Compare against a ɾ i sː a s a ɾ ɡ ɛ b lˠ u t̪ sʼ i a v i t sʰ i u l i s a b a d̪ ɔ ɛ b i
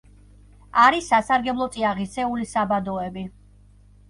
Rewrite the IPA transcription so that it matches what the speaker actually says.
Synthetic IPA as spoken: a ɾ i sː a s a ɾ ɡ ɛ b lˠ ɔ t̪ sʼ i a ʁ i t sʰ ɛ u l i s a b a d̪ ɔ ɛ b i